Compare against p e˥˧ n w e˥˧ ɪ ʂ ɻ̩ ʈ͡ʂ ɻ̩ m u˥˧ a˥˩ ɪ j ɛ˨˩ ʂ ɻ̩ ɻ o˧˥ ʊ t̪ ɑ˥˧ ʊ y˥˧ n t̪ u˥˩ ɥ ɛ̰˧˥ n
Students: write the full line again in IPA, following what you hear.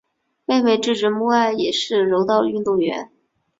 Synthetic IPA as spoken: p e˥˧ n w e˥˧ ɪ ʈ͡ʂ ɻ̩ ʈ͡ʂ ɻ̩ m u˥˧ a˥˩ ɪ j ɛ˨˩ ʂ ɻ̩ ɻ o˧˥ ʊ t̪ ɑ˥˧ ʊ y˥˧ n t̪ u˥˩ ɥ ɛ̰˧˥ n